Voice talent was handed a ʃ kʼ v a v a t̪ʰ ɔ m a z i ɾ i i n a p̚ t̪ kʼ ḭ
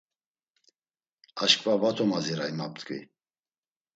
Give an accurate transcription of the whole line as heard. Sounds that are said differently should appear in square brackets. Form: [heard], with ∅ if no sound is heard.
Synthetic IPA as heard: a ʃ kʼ v a v a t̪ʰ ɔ m a z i ɾ [a] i [m] a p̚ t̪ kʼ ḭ